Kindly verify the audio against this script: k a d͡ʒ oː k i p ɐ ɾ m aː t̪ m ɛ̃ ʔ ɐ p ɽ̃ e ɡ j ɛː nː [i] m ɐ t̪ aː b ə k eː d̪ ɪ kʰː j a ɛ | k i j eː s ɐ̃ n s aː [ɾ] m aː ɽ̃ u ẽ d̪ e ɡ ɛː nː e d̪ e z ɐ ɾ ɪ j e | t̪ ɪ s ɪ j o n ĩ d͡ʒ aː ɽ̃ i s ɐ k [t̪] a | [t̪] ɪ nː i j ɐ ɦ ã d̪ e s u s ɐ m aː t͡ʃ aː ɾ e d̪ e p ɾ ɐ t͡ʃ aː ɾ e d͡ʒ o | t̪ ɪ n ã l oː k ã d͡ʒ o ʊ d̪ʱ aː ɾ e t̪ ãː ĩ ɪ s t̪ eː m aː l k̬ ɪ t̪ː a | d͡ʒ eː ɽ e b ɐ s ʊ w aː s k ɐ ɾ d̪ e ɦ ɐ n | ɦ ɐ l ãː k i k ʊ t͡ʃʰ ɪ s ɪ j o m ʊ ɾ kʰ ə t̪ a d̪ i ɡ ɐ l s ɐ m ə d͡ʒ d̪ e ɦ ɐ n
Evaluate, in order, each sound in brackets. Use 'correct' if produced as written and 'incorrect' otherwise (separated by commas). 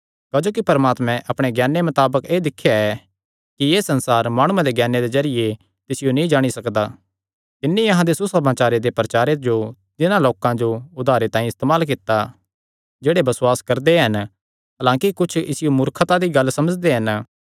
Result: incorrect, correct, incorrect, correct